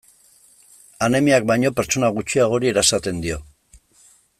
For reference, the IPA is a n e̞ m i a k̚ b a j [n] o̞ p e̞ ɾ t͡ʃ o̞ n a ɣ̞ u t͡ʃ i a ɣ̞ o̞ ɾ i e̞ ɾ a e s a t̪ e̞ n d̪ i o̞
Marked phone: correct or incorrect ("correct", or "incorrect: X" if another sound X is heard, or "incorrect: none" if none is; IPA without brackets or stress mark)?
incorrect: ɲ